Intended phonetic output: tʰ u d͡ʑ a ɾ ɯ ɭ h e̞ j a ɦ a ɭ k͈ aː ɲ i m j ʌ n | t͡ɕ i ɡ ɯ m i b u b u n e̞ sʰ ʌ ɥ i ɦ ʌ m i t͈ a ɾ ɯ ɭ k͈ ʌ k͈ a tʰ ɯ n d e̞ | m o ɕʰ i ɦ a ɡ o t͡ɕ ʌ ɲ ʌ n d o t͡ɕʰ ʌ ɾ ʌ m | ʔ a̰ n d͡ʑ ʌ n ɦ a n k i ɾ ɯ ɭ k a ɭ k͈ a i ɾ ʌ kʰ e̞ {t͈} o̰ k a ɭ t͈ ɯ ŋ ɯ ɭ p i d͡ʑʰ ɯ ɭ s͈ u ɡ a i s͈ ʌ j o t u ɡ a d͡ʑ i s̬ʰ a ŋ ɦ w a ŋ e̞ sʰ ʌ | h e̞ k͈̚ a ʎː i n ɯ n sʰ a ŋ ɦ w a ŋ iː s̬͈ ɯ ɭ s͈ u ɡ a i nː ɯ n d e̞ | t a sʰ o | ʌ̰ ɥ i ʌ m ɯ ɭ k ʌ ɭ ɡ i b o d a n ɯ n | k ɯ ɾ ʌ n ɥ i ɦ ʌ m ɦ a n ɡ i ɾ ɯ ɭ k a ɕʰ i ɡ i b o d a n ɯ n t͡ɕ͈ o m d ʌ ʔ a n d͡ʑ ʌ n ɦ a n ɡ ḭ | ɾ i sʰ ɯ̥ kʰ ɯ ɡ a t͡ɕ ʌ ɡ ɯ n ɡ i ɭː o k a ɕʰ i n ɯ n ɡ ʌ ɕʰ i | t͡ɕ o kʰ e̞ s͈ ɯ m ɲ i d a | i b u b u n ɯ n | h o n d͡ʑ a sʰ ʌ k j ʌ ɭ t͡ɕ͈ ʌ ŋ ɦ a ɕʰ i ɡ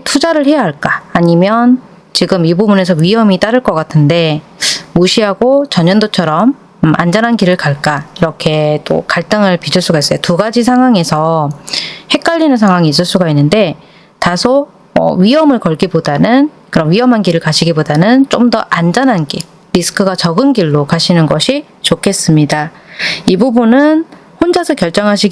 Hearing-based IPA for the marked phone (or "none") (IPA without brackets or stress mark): t͈